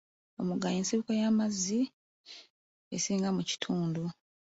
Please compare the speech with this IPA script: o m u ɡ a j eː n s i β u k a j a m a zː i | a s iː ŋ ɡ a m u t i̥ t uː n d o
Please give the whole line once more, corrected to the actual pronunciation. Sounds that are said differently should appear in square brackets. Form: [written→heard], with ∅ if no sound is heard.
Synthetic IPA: o m u ɡ a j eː n s i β u k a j a m a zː i | [a→e] s iː ŋ ɡ a m u [t→c] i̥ [t→tʰ] uː n d [o→u]